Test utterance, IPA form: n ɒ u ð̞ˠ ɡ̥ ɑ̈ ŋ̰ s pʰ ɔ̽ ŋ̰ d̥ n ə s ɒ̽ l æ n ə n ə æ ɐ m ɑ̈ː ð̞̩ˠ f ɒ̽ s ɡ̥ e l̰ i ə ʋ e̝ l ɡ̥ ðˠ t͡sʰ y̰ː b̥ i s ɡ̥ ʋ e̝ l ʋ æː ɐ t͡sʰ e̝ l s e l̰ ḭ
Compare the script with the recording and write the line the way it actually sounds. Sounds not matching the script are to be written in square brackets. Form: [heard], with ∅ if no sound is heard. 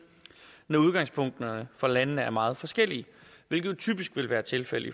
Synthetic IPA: n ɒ u ð̞ˠ ɡ̥ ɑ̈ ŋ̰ s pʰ ɔ̽ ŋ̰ d̥ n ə [f] ɒ̽ l æ n ə n ə æ ɐ m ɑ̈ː ð̞̩ˠ f ɒ̽ s ɡ̥ e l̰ i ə ʋ e̝ l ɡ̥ ðˠ t͡sʰ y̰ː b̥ i s ɡ̥ ʋ e̝ l ʋ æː ɐ t͡sʰ e̝ l [f] e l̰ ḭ

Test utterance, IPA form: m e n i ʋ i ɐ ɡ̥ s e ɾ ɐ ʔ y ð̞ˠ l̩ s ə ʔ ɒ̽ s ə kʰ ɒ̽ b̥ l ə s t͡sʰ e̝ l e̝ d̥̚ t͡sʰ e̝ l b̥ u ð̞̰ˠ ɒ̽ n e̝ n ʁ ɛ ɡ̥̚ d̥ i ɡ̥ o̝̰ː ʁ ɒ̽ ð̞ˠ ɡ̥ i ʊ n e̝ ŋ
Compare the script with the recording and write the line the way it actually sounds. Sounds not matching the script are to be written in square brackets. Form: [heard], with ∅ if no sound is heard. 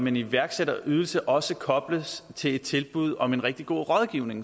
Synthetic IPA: m e n i ʋ [æ] ɐ ɡ̥ s e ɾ ɐ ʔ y ð̞ˠ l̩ s ə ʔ ɒ̽ s ə kʰ ɒ̽ b̥ l ə s t͡sʰ e̝ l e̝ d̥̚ t͡sʰ e̝ l b̥ u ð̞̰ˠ ɒ̽ [m] e̝ n ʁ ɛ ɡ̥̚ d̥ i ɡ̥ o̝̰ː ʁ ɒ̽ ð̞ˠ ɡ̥ i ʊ n e̝ ŋ

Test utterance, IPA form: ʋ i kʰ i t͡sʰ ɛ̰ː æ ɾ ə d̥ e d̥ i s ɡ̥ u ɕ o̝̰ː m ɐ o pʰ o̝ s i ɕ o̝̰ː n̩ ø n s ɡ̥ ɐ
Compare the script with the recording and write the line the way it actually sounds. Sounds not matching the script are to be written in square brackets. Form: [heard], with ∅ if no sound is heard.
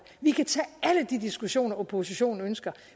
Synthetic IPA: ʋ i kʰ [æ] t͡sʰ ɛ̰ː æ [l] ə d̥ [i] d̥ i s ɡ̥ u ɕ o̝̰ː [n] ɐ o pʰ o̝ s i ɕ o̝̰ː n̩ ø n s ɡ̥ ɐ

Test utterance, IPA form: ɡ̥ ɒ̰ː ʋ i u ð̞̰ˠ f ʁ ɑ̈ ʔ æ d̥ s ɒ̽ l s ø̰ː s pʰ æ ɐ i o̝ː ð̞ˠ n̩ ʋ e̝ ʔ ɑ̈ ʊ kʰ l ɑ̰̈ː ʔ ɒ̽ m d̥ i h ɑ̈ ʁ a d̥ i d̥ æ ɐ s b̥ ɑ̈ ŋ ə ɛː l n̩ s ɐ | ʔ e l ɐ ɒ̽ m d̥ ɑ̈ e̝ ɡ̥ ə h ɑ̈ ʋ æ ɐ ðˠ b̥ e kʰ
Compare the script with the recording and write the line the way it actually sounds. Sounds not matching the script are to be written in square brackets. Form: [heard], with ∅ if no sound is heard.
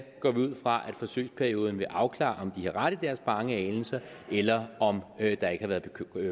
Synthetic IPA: ɡ̥ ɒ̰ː ʋ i u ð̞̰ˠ f ʁ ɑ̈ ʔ æ d̥ [f] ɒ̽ [∅] s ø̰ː s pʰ æ ɐ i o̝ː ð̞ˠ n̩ ʋ e̝ ʔ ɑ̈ ʊ kʰ l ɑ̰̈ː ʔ ɒ̽ m d̥ i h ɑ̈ ʁ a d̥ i d̥ æ ɐ s b̥ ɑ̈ ŋ ə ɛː l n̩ s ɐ | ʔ e l ɐ ɒ̽ m d̥ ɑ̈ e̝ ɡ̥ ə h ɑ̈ ʋ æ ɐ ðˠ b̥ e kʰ

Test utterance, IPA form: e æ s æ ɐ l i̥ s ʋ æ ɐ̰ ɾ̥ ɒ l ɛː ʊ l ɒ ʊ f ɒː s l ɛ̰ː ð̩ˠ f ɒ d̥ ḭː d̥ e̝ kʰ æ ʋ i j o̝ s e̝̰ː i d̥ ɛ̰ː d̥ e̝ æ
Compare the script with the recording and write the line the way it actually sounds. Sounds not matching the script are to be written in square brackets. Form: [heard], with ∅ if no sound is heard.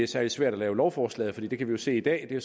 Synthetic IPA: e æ s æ ɐ l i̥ s ʋ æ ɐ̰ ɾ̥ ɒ l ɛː ʊ l ɒ ʊ f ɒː s l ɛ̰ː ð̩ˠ f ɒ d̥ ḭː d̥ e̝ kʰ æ ʋ i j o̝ s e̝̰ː i d̥ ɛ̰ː d̥ e̝ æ

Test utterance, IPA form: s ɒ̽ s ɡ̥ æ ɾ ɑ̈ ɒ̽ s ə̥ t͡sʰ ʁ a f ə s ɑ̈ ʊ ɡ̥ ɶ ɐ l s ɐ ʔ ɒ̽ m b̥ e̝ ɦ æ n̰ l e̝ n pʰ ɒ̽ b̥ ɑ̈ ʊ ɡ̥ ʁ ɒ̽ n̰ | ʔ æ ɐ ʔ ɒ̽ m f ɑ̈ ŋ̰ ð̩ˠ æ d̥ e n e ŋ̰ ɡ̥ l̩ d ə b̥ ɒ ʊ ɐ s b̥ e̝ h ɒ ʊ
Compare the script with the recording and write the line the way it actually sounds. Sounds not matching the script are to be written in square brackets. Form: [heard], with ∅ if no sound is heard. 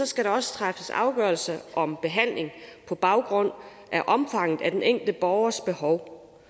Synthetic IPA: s ɒ̽ s ɡ̥ æ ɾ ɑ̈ ɒ̽ s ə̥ t͡sʰ ʁ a f ə s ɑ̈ ʊ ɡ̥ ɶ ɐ l s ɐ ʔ ɒ̽ m b̥ e̝ ɦ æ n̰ l e̝ [ŋ] pʰ ɒ̽ b̥ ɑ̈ ʊ ɡ̥ ʁ [ɔ̽] n̰ | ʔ æ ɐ ʔ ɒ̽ m f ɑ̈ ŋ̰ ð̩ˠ æ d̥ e n e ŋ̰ ɡ̥ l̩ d ə b̥ ɒ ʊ ɐ s b̥ e̝ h ɒ ʊ

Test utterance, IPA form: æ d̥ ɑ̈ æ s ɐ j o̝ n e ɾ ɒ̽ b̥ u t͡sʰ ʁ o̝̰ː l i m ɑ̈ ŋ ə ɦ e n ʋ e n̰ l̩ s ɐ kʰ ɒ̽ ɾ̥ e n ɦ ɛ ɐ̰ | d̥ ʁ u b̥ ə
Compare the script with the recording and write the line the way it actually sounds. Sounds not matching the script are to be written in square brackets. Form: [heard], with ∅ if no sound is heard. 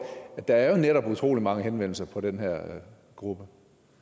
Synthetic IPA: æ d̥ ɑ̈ æ [∅] ɐ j o̝ n e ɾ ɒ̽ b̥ u t͡sʰ ʁ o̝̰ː l i m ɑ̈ ŋ ə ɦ e n ʋ e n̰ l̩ s ɐ [pʰ] ɒ̽ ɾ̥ e n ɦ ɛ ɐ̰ | [ɡ̥] ʁ u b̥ ə

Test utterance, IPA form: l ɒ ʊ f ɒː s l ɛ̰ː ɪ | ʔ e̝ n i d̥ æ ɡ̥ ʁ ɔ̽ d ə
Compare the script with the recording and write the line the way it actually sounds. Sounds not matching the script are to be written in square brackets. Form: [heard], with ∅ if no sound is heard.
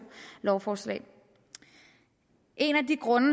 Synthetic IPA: l ɒ ʊ f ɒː s l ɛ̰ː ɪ | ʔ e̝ n [æ] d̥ [i] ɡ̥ ʁ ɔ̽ [n] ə

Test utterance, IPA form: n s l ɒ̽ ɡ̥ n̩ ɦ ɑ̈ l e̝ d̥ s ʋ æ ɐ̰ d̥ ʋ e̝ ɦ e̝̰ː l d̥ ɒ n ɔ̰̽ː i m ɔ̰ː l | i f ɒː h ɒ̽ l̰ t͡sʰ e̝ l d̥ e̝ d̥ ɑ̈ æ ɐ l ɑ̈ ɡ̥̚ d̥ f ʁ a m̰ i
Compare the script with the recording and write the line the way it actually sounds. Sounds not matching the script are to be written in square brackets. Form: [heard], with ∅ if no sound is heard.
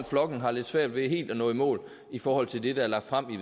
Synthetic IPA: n [f] l ɒ̽ ɡ̥ n̩ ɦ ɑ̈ l e̝ d̥ s ʋ æ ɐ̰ d̥ ʋ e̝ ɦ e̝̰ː l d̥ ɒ n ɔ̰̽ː i m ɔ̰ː l | i f ɒː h ɒ̽ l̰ t͡sʰ e̝ l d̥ e̝ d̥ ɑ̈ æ ɐ l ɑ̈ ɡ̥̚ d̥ f ʁ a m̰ i

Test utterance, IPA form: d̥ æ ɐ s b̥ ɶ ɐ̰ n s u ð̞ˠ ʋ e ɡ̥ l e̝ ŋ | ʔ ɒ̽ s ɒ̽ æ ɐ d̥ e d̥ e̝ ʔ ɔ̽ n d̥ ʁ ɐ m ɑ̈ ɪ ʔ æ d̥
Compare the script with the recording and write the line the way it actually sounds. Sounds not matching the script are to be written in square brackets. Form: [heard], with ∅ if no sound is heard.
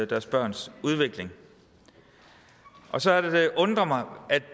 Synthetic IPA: d̥ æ ɐ s b̥ ɶ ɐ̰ n s u ð̞ˠ ʋ e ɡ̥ l e̝ ŋ | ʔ ɒ̽ s ɒ̽ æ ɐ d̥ e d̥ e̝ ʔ ɔ̽ n d̥ ʁ ɐ m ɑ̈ ɪ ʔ æ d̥

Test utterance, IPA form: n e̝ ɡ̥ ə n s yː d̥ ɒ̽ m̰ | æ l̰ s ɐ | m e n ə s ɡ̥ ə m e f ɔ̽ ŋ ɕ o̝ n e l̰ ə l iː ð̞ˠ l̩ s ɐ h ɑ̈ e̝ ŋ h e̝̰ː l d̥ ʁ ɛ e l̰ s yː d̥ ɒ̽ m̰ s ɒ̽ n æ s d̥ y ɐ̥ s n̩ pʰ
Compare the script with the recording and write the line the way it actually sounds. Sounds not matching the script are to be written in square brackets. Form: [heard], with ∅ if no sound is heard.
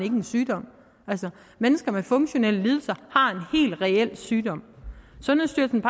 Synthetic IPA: n e̝ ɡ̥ ə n s yː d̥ ɒ̽ m̰ | æ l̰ s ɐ | m e n ə s ɡ̥ [ɐ] m e f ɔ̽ ŋ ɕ o̝ n e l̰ ə l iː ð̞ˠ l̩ s ɐ h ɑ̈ e̝ [n] h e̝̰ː l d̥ ʁ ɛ e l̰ s yː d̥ ɒ̽ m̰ s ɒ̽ n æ s d̥ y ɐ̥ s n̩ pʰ

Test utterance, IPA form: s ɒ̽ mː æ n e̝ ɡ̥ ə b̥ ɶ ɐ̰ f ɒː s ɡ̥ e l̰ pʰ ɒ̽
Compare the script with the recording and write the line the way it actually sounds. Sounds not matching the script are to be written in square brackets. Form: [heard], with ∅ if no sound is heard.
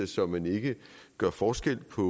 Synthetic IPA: s ɒ̽ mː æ n e̝ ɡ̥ ə [ɡ̥] ɶ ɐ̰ f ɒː s ɡ̥ e l̰ pʰ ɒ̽

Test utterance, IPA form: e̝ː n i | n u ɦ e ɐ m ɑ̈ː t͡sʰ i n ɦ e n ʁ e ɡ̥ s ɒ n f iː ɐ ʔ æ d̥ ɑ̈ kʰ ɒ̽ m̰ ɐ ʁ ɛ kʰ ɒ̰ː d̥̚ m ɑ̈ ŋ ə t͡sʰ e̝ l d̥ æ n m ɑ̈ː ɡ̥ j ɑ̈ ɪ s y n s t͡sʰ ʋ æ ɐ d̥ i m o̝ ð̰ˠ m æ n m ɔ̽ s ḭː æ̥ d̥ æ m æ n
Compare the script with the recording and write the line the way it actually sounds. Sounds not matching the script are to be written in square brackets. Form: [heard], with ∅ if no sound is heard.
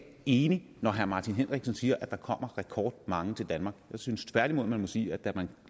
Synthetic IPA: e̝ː n i | n [ɒ] ɦ [æ] ɐ m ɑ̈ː t͡sʰ i n ɦ e n ʁ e ɡ̥ s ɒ n [s] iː ɐ ʔ æ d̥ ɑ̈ kʰ ɒ̽ m̰ ɐ ʁ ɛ kʰ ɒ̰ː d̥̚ m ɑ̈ ŋ ə t͡sʰ e̝ l d̥ æ n m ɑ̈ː ɡ̥ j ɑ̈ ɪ s y n s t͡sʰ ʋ æ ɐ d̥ i m o̝ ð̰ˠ m æ n m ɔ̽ s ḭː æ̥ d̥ æ m æ n

